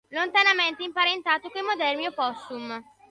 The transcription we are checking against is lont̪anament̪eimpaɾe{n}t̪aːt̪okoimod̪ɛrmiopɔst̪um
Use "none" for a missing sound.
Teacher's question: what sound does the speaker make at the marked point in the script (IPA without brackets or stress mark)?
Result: n